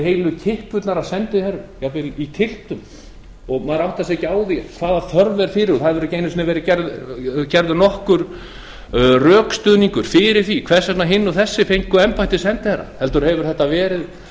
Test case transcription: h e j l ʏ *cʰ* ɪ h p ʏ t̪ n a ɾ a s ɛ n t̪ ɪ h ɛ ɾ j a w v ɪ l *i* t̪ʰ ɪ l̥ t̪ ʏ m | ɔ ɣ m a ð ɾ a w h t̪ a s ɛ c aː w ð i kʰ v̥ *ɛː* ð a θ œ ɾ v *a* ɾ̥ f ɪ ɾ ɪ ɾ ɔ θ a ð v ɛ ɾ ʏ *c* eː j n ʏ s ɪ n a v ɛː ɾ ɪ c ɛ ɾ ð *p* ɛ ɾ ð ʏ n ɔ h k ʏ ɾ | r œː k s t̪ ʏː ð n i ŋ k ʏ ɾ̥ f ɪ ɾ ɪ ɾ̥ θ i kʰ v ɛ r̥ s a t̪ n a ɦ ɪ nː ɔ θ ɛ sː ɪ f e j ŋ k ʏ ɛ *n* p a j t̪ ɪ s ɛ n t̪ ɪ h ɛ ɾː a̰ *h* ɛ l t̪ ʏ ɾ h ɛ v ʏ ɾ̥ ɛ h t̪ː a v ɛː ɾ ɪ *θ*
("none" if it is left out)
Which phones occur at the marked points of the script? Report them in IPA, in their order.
cʰ, i, aː, ɛ, c, c, m, h, ð

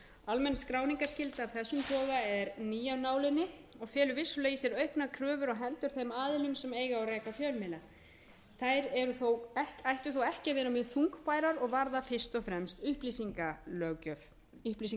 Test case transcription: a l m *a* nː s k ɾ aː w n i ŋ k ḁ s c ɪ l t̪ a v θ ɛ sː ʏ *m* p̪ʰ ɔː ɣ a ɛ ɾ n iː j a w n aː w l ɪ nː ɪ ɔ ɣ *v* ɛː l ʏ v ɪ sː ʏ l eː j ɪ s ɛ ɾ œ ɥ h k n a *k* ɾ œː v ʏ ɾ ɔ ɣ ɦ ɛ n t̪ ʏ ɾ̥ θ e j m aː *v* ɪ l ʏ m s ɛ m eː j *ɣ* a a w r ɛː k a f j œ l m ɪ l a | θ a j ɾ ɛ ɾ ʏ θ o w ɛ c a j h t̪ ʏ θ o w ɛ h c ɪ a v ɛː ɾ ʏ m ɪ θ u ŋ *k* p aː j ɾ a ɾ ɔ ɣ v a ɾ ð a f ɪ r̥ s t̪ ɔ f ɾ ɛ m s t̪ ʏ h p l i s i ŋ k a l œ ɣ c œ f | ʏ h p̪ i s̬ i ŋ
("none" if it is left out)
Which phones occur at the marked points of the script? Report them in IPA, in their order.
ɛ, m, f, kʰ, ð, ɣ, k

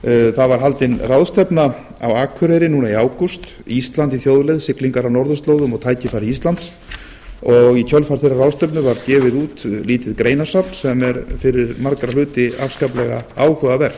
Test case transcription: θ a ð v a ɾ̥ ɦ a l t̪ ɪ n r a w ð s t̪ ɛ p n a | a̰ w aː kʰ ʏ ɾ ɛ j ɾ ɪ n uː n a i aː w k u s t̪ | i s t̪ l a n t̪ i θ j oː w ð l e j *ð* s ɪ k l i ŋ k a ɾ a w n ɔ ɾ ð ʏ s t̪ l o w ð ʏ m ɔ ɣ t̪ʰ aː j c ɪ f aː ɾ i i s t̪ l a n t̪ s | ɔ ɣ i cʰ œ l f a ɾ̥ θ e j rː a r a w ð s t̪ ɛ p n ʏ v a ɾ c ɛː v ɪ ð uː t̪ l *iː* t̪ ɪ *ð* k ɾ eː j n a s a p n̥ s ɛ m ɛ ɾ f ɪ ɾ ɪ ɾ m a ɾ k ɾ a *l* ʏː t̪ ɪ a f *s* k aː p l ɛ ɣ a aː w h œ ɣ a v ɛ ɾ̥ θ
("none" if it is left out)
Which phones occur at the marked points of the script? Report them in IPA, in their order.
ð, iː, ð, l, s

